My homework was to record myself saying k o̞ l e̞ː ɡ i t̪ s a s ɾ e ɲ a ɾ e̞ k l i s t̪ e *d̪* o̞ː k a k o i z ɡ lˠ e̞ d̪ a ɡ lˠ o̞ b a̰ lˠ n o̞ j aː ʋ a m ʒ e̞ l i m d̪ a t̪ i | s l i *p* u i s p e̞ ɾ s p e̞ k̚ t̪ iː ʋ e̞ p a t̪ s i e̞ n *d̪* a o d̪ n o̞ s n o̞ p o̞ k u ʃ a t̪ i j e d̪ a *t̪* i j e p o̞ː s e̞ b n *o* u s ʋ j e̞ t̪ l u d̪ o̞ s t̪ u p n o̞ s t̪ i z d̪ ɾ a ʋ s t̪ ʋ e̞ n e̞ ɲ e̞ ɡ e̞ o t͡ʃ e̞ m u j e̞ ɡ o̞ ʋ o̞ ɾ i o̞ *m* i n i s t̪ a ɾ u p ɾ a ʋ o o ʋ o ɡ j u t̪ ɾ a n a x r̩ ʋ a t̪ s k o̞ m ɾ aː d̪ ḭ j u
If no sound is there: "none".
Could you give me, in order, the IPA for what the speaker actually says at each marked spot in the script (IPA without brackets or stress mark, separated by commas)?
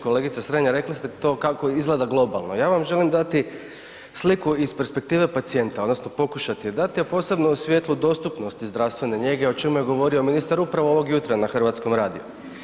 t̪, k, t̪, t̪, o, m